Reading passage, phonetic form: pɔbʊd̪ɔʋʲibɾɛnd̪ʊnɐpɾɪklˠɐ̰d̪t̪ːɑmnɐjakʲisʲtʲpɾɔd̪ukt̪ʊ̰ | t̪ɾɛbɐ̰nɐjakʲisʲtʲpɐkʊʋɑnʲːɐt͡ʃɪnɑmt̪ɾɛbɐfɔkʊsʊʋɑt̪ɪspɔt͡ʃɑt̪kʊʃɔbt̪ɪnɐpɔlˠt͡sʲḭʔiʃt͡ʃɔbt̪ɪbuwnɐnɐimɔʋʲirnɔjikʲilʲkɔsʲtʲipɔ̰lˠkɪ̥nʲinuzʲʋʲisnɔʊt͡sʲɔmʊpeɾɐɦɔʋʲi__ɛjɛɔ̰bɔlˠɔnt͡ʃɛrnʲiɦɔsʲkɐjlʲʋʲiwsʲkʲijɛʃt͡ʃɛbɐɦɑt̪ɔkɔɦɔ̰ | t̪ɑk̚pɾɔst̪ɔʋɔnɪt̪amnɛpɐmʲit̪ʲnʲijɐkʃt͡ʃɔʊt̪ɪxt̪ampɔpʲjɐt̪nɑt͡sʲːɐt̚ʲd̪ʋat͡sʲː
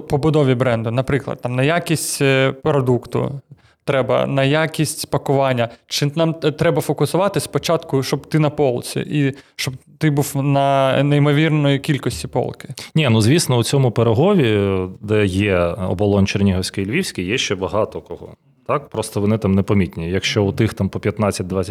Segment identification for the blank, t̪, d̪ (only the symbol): d̪